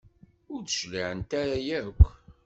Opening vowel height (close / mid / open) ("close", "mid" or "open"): close